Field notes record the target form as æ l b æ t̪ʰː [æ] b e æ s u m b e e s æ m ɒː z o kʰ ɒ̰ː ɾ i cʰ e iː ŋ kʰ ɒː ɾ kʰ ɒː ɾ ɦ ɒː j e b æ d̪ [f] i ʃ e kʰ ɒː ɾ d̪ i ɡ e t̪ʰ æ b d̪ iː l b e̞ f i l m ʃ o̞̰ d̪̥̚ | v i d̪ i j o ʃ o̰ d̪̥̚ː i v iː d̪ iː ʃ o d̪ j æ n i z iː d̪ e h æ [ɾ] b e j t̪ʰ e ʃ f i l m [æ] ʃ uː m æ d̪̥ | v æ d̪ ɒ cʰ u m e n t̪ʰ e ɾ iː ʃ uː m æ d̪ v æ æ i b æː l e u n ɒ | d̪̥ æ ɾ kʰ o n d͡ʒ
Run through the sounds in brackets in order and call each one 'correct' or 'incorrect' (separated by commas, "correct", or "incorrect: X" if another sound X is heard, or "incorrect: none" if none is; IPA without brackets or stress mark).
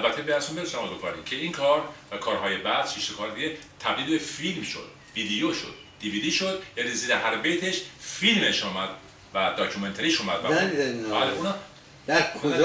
incorrect: e, incorrect: ʃ, correct, incorrect: e